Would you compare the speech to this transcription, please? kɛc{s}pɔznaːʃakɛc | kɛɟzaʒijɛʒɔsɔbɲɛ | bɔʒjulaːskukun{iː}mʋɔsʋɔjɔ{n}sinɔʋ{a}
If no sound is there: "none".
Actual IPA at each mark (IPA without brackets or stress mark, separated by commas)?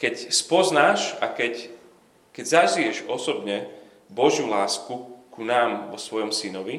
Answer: s, aː, m, i